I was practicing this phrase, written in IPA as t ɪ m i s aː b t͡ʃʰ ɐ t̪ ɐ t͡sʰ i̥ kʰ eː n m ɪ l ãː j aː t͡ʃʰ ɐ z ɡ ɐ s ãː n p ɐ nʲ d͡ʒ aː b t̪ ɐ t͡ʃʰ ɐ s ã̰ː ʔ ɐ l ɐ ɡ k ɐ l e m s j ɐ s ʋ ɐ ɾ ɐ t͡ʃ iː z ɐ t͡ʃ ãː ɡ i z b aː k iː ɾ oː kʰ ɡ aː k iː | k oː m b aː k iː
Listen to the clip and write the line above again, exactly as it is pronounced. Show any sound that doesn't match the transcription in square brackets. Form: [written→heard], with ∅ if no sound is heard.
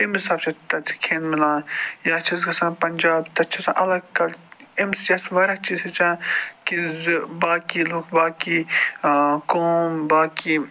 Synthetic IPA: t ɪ m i s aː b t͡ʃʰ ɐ t̪ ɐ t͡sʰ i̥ kʰ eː n m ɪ l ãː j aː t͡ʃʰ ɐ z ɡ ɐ s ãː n p ɐ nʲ d͡ʒ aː b t̪ ɐ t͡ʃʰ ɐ s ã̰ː ʔ ɐ l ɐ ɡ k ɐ l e m s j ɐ s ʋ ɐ ɾ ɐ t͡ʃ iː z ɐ t͡ʃ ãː [ɡ→k] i z b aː k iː [ɾ→l] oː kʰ [ɡ→b] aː k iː | k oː m b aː k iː